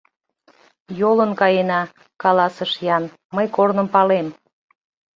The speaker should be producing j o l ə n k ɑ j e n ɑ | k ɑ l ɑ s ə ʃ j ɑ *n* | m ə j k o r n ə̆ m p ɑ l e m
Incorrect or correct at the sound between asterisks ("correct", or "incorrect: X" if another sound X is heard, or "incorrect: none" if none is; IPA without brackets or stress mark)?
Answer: correct